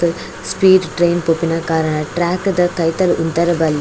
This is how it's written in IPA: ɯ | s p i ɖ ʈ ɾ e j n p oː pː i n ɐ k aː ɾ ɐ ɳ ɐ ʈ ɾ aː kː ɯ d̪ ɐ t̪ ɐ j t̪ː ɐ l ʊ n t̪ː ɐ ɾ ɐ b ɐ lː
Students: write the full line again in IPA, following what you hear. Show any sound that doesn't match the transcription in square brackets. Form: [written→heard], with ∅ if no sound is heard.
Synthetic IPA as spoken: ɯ | s p [i→iː] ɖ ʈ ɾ e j n p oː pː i n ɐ k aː ɾ ɐ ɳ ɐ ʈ ɾ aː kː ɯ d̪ ɐ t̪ ɐ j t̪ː ɐ l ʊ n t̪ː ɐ ɾ ɐ b ɐ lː